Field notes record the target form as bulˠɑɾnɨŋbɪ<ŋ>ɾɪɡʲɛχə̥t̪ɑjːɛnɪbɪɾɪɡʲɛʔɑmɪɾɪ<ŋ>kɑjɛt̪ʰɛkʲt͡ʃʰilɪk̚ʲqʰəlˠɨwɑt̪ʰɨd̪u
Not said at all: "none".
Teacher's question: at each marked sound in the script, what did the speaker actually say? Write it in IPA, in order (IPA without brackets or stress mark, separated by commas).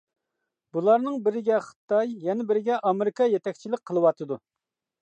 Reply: none, none